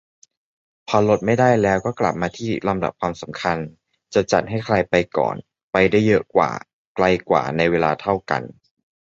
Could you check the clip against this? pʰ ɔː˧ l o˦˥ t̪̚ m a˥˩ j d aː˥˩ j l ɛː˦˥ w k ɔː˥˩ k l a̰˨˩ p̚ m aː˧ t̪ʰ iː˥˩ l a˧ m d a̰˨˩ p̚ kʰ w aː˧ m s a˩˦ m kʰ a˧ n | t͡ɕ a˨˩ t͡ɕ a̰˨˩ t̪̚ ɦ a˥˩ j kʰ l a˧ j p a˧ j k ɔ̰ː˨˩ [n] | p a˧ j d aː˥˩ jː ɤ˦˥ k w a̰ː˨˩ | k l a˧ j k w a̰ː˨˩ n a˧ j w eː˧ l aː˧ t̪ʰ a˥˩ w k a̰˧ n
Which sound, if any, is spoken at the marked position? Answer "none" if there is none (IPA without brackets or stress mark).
n